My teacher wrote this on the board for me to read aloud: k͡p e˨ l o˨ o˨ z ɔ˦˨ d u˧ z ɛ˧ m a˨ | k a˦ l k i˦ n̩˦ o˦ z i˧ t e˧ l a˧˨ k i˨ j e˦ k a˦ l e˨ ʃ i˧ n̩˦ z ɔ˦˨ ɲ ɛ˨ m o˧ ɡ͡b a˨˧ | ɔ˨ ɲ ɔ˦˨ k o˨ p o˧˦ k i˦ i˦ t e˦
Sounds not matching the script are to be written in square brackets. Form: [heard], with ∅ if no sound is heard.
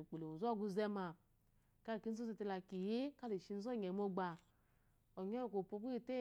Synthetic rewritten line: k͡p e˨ l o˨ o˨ z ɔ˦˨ [ɡ] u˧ z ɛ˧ m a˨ | k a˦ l k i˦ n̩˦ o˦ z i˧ t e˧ l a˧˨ k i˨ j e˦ k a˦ l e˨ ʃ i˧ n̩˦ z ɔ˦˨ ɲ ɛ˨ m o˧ ɡ͡b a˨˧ | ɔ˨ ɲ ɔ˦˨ k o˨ p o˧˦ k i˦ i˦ t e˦